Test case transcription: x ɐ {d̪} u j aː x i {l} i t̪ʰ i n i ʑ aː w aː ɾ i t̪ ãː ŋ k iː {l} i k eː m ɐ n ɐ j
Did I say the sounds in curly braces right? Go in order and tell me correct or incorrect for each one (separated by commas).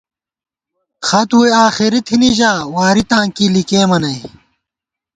incorrect, incorrect, correct